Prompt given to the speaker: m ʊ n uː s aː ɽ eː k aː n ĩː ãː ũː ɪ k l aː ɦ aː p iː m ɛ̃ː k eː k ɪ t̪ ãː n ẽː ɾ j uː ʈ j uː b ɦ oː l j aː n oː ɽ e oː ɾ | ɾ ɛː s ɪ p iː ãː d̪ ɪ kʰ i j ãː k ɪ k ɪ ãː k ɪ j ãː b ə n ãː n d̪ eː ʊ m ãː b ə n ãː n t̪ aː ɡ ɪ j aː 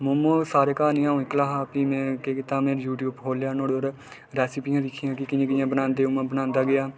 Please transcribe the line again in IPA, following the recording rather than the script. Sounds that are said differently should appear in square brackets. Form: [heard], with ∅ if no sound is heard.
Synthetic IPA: m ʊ [m] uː s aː [ɾ] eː k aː n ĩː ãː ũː ɪ k l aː ɦ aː p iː m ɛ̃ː k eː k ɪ t̪ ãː [m] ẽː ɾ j uː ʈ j uː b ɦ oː l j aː n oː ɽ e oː ɾ | ɾ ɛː s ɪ p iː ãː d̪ ɪ kʰ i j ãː k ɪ k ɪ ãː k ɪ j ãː b ə n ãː n d̪ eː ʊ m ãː b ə n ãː n [d̪] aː ɡ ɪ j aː